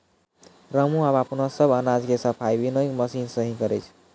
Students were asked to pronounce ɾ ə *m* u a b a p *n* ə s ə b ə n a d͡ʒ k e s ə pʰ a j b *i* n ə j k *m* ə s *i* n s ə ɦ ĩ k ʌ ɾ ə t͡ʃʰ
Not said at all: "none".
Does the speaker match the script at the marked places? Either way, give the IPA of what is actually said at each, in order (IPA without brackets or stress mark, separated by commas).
m, n, i, m, i